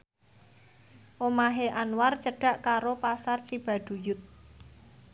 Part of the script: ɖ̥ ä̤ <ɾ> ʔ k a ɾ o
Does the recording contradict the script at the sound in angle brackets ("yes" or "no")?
yes